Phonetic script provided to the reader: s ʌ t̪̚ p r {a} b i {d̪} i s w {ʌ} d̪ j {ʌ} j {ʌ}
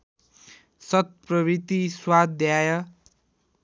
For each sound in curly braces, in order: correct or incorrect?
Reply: incorrect: ʌ, incorrect: t̪, incorrect: a, incorrect: a, correct

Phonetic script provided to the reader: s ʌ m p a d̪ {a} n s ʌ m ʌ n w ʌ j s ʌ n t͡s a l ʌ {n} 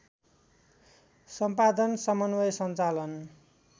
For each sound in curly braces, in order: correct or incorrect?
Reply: incorrect: ʌ, correct

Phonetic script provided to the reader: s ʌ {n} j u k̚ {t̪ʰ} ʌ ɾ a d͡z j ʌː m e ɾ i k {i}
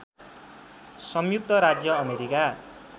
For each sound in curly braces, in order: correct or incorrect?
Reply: incorrect: m, incorrect: t̪, incorrect: a

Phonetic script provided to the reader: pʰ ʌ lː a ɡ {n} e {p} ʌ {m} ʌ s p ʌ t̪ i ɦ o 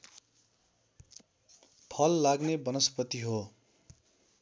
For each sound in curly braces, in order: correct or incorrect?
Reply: correct, incorrect: b, incorrect: n

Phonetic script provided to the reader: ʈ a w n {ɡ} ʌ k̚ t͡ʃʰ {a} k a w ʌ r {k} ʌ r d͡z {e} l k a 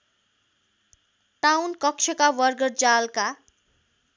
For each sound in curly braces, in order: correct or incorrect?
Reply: incorrect: k, incorrect: ʌ, incorrect: ɡ, incorrect: a

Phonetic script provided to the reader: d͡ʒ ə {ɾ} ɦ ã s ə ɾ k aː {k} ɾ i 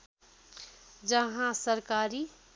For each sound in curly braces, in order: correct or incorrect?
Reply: incorrect: none, incorrect: none

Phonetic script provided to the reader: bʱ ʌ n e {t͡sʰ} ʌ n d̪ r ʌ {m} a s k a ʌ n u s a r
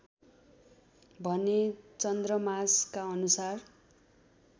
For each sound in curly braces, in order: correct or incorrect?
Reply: incorrect: t͡s, correct

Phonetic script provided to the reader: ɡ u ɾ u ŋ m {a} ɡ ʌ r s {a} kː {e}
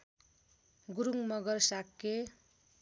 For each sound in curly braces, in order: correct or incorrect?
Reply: incorrect: ʌ, correct, correct

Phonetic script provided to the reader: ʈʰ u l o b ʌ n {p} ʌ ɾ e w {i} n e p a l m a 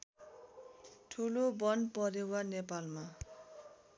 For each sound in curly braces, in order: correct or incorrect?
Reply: correct, incorrect: a

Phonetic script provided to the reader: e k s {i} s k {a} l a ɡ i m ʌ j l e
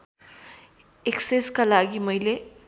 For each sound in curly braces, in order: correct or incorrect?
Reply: incorrect: e, correct

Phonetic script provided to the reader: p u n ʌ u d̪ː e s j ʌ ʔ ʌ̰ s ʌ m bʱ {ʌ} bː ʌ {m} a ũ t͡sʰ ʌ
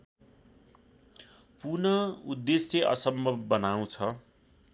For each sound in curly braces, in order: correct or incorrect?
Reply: correct, incorrect: n

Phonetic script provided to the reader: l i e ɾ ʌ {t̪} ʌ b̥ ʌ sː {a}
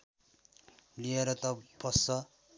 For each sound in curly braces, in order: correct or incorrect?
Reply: correct, incorrect: ʌ

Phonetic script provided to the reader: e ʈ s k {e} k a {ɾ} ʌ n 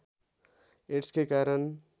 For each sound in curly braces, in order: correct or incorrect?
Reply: correct, correct

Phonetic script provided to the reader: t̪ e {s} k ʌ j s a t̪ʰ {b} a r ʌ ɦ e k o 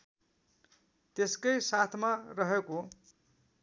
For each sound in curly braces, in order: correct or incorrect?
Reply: correct, incorrect: m

